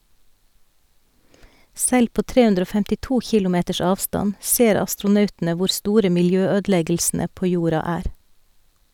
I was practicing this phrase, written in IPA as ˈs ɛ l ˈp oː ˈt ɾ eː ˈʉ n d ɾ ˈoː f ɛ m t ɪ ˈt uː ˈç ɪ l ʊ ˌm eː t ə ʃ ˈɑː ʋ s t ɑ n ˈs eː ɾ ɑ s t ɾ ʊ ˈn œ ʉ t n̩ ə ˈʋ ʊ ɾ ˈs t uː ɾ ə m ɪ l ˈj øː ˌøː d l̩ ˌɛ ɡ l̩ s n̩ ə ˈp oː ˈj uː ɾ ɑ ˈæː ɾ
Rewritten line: ˈs ɛ l ˈp oː ˈt ɾ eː ˈʉ n d ɾ ˈoː f ɛ m t ɪ ˈt uː ˈç ɪ l ʊ ˌm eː t ə ʃ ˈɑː ʋ s t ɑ n ˈs eː ɾ ɑ s t ɾ ʊ ˈn œ ʉ t n̩ ə ˈʋ ʊ ɾ ˈs t uː ɾ ə m ɪ l ˈj øː ˌøː d l̩ ˌɛ ɡ l̩ s n̩ ə ˈp oː ˈj uː ɾ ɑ ˈæː ɾ